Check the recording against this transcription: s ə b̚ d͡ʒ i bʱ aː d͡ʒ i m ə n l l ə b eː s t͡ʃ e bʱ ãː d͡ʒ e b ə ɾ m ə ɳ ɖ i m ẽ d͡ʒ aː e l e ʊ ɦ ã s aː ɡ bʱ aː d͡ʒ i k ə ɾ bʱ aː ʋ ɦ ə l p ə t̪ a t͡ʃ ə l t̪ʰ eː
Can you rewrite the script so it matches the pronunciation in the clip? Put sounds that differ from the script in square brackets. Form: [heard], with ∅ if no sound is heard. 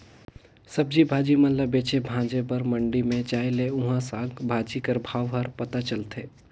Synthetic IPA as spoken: s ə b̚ d͡ʒ i bʱ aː d͡ʒ i m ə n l l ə b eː [∅] t͡ʃ e bʱ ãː d͡ʒ e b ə ɾ m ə ɳ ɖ i m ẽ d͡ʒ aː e l e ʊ ɦ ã s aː ɡ bʱ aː d͡ʒ i k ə ɾ bʱ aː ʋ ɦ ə [ɾ] p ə t̪ a t͡ʃ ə l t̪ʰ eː

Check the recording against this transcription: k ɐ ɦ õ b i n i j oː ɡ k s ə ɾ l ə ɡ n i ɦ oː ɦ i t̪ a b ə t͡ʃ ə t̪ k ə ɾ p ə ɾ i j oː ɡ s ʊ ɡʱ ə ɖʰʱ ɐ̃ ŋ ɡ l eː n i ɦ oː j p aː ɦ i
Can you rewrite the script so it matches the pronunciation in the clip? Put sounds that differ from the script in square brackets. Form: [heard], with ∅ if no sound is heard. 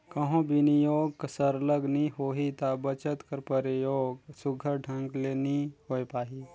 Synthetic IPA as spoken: k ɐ ɦ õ b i n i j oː ɡ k s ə ɾ l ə ɡ n i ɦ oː ɦ i t̪ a b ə t͡ʃ ə t̪ k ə ɾ p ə ɾ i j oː ɡ s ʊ ɡʱ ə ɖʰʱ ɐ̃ ŋ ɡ l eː n i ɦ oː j p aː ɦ i

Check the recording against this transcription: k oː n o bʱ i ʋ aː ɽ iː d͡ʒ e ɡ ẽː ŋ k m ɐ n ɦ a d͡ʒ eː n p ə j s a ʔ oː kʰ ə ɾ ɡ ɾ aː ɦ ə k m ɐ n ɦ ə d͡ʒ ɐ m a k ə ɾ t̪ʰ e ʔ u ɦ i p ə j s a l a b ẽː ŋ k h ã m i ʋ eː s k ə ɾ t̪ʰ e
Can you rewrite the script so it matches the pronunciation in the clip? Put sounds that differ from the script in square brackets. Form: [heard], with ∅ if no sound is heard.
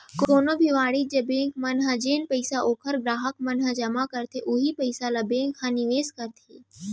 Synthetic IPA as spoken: k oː n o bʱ i ʋ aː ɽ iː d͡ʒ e [b] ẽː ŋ k m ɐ n ɦ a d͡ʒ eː n p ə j s a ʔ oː kʰ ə ɾ ɡ ɾ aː ɦ ə k m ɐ n ɦ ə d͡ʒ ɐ m a k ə ɾ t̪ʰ e ʔ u ɦ i p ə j s a l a b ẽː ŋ k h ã [n] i ʋ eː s k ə ɾ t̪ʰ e

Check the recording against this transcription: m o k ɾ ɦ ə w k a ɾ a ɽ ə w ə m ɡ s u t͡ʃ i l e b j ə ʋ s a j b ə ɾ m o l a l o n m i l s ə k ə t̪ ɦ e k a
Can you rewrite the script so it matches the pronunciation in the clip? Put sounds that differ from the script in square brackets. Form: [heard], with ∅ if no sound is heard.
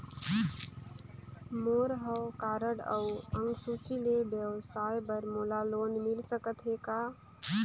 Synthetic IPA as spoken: m o [∅] ɾ ɦ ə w k a ɾ [ə] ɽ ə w ə [ŋ] ɡ s u t͡ʃ i l e b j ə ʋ s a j b ə ɾ m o l a l o n m i l s ə k ə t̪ ɦ e k a

